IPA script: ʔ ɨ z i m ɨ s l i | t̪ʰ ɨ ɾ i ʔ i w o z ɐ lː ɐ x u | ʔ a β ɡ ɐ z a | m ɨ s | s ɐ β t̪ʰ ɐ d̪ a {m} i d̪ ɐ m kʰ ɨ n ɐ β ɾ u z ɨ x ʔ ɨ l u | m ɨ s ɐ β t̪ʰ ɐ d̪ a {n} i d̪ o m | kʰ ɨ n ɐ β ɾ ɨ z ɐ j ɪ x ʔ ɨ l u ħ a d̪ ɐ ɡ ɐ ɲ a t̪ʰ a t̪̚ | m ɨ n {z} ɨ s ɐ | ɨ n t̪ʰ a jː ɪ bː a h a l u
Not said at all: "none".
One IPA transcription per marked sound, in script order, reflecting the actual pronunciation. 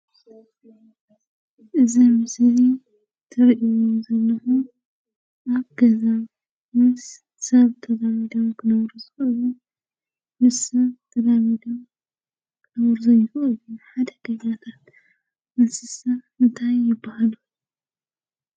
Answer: m, m, s

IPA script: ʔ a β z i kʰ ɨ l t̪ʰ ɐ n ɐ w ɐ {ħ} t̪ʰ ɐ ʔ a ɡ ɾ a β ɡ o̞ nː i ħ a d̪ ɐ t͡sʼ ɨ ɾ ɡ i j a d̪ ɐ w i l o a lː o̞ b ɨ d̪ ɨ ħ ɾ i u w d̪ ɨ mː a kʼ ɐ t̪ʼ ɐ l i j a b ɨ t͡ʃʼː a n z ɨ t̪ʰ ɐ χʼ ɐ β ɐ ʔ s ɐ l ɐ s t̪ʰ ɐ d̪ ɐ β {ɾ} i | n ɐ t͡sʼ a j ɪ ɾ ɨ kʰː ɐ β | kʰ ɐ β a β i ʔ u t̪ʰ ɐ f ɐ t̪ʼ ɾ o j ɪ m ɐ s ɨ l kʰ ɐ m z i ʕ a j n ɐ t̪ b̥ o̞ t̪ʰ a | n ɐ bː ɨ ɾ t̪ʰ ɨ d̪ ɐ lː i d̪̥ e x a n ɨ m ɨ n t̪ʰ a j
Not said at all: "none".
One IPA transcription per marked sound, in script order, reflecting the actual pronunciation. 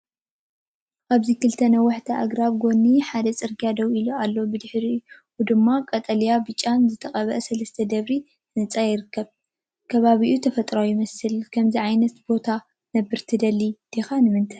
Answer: ħ, ɾ

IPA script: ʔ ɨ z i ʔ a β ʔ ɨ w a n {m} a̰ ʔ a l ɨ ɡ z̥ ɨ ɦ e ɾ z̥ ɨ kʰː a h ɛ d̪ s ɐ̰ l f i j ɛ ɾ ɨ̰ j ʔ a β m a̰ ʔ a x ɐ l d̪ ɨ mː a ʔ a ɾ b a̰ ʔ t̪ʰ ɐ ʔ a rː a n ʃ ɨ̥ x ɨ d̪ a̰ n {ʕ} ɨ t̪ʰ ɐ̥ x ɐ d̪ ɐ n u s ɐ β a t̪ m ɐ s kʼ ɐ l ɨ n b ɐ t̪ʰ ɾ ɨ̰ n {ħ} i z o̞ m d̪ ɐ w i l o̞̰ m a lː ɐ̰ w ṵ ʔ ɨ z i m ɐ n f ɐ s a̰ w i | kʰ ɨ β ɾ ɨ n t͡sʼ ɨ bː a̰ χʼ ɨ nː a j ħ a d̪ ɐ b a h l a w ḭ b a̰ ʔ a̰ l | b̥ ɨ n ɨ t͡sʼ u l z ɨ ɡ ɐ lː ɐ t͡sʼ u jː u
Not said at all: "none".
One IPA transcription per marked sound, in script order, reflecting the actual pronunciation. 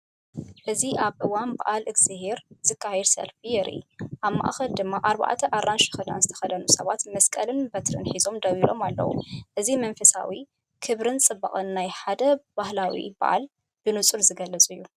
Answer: b, z, ħ

